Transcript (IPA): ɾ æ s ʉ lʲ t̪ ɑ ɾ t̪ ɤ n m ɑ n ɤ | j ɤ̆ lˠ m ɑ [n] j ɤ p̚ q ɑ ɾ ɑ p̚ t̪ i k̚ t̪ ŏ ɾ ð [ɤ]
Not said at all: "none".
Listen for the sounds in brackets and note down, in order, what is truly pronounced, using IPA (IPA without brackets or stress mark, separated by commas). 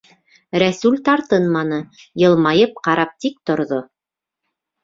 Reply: none, o